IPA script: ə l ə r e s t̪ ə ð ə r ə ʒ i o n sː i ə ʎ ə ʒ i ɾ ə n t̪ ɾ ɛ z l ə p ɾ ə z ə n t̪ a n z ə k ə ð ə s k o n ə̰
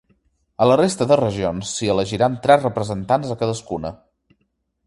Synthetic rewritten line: ə l ə r e s t̪ ə ð ə r ə ʒ i o n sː i ə l ə ʒ i ɾ a n t̪ ɾ ɛ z r ə p ɾ ə z ə n t̪ a n z ə k ə ð ə s k u n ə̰